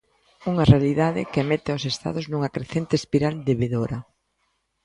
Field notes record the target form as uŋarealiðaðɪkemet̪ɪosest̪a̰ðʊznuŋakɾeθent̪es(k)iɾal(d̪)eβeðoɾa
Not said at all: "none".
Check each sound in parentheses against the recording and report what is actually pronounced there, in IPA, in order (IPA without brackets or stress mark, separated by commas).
p, d̪